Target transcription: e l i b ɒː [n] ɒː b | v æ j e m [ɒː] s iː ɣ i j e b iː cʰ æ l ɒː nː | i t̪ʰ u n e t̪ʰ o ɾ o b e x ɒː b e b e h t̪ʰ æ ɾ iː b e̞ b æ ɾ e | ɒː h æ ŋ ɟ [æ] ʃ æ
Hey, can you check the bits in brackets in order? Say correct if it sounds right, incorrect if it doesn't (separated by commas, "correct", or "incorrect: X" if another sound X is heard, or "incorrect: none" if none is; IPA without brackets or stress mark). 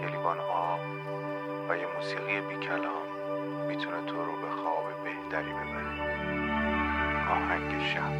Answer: correct, incorrect: uː, incorrect: e